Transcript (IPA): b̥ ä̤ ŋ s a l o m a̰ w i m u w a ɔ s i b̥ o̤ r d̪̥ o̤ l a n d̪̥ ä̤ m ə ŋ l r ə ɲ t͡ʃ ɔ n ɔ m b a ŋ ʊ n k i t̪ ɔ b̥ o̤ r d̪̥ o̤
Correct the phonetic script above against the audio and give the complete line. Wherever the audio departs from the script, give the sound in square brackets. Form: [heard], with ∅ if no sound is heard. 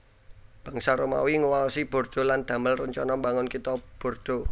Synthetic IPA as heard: b̥ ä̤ ŋ s a [ɾ] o m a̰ w i [ŋ] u w a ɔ s i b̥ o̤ r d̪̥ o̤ l a n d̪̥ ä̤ m ə [∅] l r ə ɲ t͡ʃ ɔ n ɔ m b a ŋ ʊ n k i t̪ ɔ b̥ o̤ r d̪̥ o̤